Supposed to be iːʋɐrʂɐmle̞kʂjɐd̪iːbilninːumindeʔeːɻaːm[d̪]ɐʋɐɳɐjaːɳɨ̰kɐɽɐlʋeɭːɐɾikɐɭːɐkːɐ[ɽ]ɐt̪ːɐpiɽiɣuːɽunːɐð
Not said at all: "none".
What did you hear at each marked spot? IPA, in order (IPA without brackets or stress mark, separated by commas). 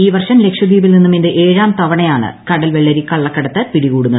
t̪, ɽ